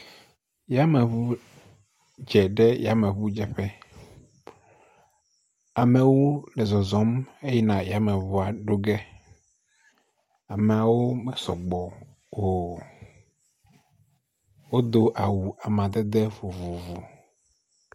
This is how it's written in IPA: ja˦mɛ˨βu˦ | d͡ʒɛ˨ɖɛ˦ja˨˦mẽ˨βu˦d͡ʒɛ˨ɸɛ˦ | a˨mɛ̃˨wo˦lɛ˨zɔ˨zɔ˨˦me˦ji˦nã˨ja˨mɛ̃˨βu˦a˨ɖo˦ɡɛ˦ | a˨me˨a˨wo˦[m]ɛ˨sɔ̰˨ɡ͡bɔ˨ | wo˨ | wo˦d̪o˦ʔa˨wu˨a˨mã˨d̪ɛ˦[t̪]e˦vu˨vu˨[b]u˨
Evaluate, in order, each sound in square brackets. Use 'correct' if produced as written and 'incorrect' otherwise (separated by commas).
correct, incorrect, incorrect